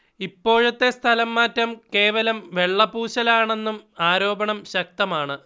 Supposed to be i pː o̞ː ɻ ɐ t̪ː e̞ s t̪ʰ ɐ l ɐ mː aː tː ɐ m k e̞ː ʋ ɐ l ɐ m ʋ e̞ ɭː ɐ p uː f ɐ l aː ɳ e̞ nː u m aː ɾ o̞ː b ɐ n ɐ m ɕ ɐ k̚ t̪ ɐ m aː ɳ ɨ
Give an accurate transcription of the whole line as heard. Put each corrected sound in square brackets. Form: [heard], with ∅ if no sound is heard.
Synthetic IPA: i pː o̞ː ɻ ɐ t̪ː e̞ s t̪ʰ ɐ l ɐ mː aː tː ɐ m k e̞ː ʋ ɐ l ɐ m ʋ e̞ ɭː ɐ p uː [ɕ] ɐ l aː ɳ e̞ nː u m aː ɾ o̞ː b ɐ [ɳ] ɐ m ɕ ɐ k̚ t̪ ɐ m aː ɳ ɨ